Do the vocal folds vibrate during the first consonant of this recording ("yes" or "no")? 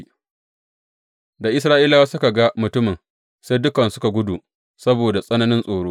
yes